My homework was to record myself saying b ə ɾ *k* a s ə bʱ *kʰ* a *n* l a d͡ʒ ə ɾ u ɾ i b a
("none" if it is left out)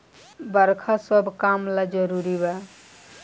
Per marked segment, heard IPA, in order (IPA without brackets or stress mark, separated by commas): kʰ, k, m